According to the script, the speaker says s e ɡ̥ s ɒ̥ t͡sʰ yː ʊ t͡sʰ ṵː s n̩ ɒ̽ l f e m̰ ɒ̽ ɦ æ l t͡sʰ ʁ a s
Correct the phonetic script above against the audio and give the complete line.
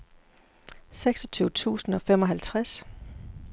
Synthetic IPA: s e ɡ̥ s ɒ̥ t͡sʰ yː ʊ t͡sʰ ṵː s n̩ ɒ̽ f e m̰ ɒ̽ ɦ æ l t͡sʰ ʁ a s